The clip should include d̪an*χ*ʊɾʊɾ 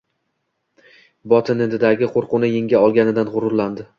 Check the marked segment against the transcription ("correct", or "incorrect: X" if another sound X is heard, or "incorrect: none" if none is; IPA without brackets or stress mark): incorrect: ʁ